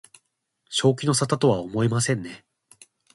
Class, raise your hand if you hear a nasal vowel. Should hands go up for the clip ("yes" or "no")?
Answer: yes